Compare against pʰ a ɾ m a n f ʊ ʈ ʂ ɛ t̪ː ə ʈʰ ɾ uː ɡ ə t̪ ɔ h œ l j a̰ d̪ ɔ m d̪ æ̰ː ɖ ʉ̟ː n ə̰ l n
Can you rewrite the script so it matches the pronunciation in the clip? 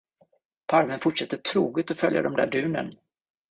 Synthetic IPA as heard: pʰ a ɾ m ə n f ʊ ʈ ʂ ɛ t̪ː ə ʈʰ ɾ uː ɡ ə t̪ ɔ f œ l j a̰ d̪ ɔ m d̪ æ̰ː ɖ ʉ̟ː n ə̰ n

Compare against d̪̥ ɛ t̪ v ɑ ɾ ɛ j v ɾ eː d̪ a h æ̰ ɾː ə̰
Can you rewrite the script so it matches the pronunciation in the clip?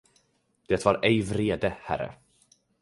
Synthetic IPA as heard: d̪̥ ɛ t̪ v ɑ ɾ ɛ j v ɾ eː d̪ ə h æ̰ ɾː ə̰

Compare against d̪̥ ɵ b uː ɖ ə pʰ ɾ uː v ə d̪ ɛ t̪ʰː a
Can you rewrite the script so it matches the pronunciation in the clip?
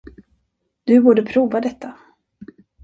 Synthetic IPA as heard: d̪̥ ɵ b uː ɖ ə pʰ ɾ uː v a d̪ ɛ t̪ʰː a

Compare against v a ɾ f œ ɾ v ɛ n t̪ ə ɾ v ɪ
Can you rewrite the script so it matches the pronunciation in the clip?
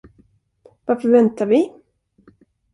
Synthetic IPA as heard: v a ɾ f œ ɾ v ɛ n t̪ a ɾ v ɪ

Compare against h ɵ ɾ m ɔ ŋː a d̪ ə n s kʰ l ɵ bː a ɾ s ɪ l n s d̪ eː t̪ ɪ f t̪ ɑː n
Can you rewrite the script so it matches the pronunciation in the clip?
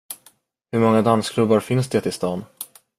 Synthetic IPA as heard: h ɵ ɾ m ɔ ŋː a d̪ a n s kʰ l ɵ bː a ɾ f ɪ n s d̪ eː t̪ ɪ s t̪ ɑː n

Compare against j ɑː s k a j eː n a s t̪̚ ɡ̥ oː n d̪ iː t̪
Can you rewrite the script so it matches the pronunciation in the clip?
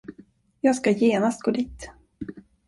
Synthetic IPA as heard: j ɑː s k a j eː n a s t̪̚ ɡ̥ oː d̪ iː t̪

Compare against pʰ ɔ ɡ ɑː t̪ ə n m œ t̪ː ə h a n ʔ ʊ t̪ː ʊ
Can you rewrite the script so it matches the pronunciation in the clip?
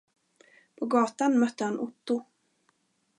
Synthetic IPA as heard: pʰ ɔ ɡ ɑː t̪ a n m œ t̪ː ə h a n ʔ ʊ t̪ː ʊ

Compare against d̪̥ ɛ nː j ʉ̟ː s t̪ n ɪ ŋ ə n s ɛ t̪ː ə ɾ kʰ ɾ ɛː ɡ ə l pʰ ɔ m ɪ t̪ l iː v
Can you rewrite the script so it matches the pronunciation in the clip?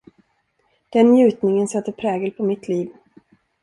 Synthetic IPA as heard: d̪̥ ɛ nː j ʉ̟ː t̪ n ɪ ŋ ə n s ɛ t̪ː ə ɾ pʰ ɾ ɛː ɡ ə l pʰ ɔ m ɪ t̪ l iː v

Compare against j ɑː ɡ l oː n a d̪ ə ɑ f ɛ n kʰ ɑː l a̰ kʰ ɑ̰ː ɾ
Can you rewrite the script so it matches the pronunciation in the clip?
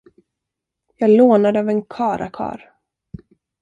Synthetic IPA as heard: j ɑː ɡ l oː n a d̪ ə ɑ v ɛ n kʰ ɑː ɾ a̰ kʰ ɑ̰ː ɾ

